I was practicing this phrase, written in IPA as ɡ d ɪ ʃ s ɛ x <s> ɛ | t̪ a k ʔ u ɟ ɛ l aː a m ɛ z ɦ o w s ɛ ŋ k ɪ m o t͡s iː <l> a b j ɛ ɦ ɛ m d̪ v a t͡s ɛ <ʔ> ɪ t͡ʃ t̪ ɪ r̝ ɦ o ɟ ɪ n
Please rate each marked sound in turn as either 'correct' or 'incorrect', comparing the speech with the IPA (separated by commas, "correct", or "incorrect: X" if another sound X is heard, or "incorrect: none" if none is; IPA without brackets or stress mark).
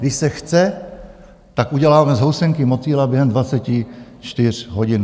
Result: incorrect: t͡s, correct, incorrect: c